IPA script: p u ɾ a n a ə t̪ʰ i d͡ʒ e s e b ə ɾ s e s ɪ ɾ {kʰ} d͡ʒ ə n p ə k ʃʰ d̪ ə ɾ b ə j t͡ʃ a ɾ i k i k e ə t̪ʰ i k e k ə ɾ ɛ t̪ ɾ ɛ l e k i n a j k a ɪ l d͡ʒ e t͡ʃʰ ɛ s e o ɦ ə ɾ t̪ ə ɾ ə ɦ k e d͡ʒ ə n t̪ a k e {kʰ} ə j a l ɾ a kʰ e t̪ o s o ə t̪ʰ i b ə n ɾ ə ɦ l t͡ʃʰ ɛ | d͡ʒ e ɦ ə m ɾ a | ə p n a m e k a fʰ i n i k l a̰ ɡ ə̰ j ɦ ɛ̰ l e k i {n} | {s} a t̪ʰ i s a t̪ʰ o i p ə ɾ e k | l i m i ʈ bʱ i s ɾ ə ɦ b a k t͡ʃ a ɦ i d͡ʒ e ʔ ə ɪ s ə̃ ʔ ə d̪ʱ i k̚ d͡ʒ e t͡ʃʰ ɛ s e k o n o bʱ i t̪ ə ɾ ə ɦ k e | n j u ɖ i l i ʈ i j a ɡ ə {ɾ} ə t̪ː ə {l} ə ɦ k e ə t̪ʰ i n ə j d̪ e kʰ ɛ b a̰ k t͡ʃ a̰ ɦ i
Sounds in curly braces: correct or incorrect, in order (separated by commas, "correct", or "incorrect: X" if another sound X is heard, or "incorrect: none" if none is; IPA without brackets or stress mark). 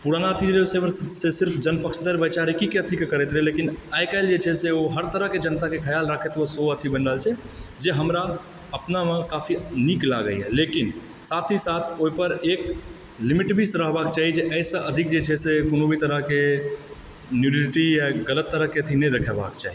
incorrect: pʰ, correct, correct, correct, incorrect: l, incorrect: ɾ